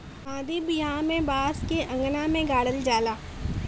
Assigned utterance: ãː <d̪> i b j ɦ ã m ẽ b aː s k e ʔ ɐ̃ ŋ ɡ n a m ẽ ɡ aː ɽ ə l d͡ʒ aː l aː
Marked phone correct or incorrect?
correct